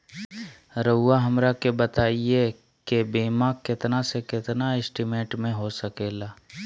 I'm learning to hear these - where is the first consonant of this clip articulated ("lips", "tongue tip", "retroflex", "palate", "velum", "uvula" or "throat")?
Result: tongue tip